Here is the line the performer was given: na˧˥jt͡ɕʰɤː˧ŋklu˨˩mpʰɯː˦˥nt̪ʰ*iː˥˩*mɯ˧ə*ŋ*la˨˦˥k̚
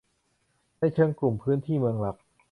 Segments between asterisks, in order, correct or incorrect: correct, correct

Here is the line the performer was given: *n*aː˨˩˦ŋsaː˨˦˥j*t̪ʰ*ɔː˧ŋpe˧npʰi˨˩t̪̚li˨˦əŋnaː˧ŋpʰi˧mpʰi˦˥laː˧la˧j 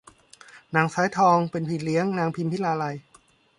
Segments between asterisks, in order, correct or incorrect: correct, correct

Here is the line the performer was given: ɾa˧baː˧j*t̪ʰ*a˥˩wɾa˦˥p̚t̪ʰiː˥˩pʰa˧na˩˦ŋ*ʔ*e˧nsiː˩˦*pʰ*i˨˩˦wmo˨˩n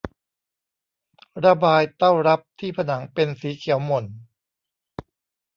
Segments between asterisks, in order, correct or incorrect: incorrect, incorrect, incorrect

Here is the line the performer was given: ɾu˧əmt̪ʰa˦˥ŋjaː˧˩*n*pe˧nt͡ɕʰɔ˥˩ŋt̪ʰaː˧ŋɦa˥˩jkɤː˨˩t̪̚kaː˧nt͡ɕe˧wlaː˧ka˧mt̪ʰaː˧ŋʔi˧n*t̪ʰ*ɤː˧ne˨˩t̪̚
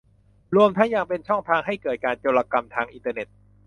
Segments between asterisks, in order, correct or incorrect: incorrect, incorrect

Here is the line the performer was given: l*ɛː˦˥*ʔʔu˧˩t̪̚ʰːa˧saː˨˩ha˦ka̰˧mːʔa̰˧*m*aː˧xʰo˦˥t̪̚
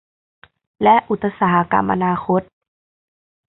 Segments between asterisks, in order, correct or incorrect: incorrect, incorrect

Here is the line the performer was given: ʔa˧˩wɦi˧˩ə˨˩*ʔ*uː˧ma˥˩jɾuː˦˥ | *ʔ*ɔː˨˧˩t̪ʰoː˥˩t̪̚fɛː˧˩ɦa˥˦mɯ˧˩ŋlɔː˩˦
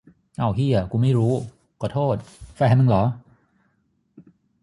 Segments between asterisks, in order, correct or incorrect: incorrect, incorrect

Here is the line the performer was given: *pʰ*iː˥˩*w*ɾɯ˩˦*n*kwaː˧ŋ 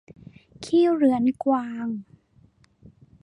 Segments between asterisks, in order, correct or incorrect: incorrect, correct, correct

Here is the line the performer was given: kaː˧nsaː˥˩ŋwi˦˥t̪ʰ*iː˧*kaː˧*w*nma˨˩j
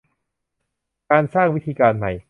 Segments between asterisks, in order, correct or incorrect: correct, incorrect

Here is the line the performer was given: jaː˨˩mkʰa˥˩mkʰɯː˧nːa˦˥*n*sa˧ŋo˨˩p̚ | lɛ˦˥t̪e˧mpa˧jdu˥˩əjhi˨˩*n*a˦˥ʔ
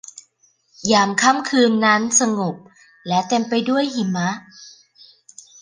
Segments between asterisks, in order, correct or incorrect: correct, incorrect

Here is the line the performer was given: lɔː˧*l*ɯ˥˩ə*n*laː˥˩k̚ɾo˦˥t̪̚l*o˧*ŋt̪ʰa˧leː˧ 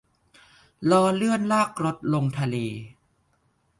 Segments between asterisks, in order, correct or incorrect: correct, correct, correct

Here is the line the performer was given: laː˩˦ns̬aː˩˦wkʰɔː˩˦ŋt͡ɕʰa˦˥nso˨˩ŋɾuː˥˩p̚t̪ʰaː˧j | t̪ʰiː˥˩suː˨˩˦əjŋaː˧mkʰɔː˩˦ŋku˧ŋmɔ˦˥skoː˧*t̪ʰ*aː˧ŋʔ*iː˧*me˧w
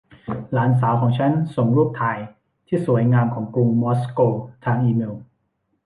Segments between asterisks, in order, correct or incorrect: correct, correct

